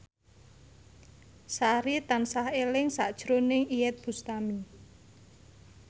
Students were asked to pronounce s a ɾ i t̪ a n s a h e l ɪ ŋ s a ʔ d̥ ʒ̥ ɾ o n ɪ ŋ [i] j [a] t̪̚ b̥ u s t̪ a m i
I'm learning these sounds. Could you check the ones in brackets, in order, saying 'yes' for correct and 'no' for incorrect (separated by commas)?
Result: yes, no